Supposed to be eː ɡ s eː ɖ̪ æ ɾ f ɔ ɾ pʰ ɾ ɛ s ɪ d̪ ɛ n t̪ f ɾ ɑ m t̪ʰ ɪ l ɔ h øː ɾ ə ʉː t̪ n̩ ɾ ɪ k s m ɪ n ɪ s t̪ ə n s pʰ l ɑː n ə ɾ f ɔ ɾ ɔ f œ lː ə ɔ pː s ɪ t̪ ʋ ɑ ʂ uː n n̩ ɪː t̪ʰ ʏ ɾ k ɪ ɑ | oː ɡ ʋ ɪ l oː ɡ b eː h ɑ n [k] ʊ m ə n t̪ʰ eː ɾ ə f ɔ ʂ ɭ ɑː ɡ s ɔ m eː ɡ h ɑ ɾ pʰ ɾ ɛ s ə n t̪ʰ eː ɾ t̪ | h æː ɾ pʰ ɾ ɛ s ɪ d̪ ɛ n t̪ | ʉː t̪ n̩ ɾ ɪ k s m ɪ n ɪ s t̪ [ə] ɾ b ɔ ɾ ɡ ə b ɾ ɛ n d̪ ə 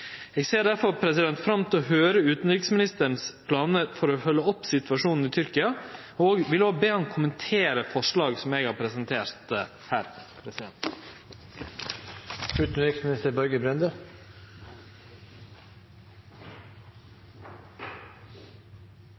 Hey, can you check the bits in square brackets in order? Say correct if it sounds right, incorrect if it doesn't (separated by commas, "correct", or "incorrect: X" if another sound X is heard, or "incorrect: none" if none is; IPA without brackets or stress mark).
incorrect: kʰ, correct